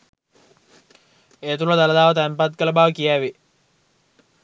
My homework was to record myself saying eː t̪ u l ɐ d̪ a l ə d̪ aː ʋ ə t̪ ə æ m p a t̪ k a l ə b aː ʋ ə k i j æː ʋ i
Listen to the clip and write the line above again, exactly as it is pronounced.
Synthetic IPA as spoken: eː t̪ u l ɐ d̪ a l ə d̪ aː ʋ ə t̪ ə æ m p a t̪ k ə l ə b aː ʋ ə k i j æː ʋ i

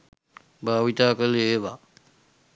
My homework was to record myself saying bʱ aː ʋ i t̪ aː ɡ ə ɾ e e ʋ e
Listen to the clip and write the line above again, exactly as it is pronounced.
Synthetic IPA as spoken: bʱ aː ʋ i t̪ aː k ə l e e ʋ a

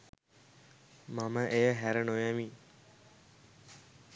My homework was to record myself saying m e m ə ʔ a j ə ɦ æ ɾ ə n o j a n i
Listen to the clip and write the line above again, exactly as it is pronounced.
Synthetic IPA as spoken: m a m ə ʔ e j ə ɦ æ ɾ ə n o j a m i

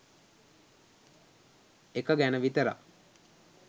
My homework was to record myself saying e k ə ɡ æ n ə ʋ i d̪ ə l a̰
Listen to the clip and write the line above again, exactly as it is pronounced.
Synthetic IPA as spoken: e k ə ɡ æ n ə ʋ i t̪ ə ɾ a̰

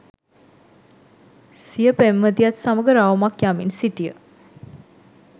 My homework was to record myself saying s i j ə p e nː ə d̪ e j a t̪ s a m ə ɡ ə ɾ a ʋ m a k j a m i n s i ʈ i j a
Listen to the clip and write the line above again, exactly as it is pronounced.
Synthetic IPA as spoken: s i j ə p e mː ə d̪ i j a t̪ s a m ə ɡ ə ɾ a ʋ m a k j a m i n s i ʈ i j ə

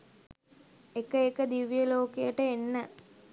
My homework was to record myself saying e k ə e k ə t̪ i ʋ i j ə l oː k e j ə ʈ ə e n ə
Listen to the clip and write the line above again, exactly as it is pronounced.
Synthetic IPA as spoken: e k ə e k ə d̪ i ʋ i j ə l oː k e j ə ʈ ə e nː ə

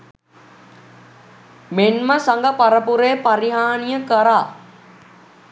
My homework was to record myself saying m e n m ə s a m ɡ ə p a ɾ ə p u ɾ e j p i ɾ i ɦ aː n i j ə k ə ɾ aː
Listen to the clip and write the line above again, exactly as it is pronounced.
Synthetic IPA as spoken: m e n m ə s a ŋ ɡ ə p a ɾ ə p u ɾ e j p a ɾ i ɦ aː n i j ə k ə ɾ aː

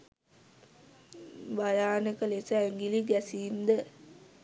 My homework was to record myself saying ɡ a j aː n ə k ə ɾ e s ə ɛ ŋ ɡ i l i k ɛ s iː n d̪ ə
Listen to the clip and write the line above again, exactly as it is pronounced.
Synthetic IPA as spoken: b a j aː n ə k ə l e s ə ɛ ŋ ɡ i l i ɡ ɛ s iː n d̪ ə

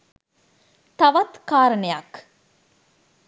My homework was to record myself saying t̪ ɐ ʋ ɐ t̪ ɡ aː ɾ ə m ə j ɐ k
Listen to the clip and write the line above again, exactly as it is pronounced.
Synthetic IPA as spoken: t̪ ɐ ʋ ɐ t̪ k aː ɾ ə n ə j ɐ k

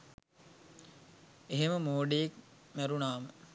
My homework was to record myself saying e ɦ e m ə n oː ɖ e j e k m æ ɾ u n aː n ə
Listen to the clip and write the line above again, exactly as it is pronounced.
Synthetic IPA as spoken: e ɦ e m ə m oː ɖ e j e k m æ ɾ u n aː m ə

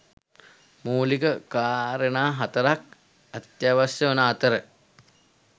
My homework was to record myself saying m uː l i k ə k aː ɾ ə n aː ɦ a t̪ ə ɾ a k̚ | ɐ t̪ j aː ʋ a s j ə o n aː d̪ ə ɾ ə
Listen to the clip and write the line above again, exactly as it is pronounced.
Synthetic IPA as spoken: m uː l i k ə k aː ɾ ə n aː ɦ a t̪ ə ɾ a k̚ | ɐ t̪ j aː ʋ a s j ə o n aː t̪ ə ɾ ə

